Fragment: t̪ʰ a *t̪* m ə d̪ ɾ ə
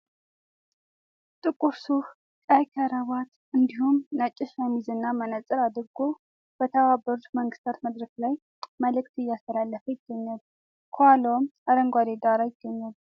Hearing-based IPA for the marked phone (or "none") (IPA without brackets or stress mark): t̪